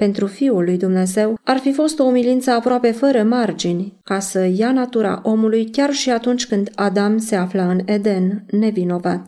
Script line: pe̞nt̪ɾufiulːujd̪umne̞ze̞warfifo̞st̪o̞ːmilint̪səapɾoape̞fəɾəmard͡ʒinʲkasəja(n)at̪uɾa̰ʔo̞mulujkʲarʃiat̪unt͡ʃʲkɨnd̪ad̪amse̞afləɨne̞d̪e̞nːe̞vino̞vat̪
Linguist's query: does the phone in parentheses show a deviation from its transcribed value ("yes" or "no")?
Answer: no